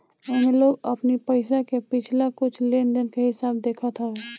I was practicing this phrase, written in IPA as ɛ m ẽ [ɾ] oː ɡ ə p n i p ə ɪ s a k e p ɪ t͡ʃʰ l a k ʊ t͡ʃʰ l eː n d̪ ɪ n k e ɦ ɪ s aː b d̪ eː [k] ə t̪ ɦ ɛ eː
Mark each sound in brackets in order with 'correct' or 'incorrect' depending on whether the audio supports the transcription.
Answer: incorrect, incorrect

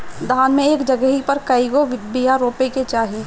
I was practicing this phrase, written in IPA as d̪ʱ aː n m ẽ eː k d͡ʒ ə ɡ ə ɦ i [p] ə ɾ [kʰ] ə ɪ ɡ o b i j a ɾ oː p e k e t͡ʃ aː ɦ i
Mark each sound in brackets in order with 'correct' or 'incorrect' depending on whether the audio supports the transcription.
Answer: correct, incorrect

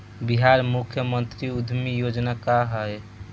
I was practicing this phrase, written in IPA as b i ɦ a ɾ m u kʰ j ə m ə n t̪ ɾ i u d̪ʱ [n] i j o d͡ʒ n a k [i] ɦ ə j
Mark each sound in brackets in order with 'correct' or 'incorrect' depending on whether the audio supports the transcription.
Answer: incorrect, incorrect

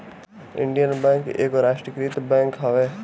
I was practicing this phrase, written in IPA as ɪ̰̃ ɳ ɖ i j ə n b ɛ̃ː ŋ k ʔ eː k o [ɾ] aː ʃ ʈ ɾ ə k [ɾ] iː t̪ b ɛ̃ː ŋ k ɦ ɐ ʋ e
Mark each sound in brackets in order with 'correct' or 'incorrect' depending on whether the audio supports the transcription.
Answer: correct, correct

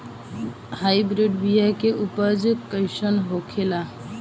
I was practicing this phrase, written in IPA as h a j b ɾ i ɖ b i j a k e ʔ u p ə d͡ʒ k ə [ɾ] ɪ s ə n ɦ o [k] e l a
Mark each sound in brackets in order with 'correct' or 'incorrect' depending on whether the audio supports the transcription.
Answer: incorrect, incorrect

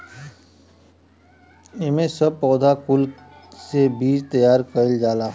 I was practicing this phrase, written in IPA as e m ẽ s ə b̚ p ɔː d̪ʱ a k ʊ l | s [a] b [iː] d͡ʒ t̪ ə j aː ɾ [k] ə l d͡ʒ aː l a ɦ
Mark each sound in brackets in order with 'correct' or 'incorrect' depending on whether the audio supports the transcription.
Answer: incorrect, correct, correct

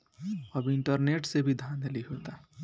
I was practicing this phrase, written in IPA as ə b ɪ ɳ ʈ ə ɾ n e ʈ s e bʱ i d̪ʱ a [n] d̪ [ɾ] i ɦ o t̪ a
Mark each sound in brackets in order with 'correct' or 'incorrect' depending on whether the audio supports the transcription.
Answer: correct, incorrect

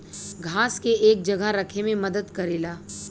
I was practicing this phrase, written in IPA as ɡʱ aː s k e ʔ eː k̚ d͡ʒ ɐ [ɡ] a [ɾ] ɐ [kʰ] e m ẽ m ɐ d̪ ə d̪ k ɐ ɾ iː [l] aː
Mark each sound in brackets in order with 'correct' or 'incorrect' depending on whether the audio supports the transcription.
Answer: correct, correct, correct, correct

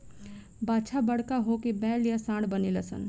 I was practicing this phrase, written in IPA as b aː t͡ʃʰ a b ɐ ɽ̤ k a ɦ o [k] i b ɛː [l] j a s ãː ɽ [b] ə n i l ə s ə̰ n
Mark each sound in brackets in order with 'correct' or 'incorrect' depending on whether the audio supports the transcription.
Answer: correct, correct, correct

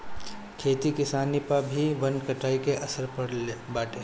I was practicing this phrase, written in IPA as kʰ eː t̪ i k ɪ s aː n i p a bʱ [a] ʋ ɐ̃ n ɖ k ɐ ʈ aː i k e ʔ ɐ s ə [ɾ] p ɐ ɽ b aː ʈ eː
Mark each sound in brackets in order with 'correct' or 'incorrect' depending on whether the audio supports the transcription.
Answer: incorrect, correct

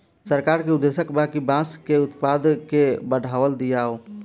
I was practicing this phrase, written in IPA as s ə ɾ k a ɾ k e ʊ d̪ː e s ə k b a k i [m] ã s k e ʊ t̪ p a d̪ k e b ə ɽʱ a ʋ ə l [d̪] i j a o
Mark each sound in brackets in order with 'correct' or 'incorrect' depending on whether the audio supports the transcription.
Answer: incorrect, correct

